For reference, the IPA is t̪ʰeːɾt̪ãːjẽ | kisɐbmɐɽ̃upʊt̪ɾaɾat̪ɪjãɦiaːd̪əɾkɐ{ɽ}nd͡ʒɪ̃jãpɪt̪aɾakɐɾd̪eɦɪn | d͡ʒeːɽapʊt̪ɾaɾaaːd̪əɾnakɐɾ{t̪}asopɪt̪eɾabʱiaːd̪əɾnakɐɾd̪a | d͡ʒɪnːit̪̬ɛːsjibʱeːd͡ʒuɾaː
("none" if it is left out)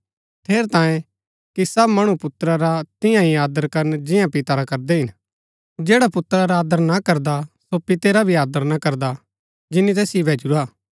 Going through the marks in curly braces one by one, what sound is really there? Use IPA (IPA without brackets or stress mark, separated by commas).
ɾ, d̪